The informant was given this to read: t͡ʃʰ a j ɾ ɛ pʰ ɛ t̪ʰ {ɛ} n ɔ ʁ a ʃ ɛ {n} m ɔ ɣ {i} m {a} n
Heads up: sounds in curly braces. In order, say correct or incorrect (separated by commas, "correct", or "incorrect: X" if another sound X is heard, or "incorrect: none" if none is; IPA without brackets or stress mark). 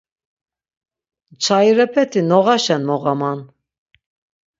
incorrect: i, correct, incorrect: a, correct